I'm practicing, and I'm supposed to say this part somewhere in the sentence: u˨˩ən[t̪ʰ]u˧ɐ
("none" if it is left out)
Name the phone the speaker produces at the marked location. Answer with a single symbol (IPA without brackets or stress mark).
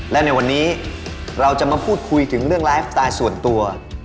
t̪